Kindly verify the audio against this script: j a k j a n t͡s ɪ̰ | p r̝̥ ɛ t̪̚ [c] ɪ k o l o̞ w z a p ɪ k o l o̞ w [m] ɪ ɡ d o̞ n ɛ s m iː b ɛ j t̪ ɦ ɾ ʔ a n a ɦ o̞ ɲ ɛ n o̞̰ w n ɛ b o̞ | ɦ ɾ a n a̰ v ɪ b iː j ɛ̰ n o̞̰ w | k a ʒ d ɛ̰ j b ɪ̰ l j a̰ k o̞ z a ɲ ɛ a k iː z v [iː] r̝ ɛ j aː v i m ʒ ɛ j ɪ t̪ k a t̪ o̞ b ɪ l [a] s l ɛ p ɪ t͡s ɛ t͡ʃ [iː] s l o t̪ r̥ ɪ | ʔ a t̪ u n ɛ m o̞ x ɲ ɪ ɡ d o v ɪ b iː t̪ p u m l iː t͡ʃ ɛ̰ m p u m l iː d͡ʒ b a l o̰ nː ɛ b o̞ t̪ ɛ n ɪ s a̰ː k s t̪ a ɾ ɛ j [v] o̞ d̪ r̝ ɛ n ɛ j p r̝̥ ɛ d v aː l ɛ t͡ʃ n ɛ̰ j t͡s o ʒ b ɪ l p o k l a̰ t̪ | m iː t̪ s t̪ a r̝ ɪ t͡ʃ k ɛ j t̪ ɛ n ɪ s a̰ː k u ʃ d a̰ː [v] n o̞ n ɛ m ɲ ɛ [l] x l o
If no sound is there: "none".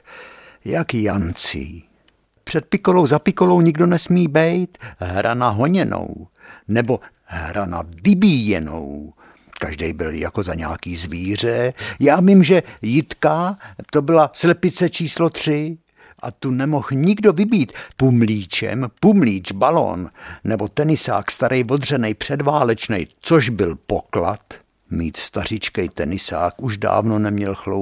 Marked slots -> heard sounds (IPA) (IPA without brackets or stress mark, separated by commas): p, ɲ, iː, a, iː, v, v, l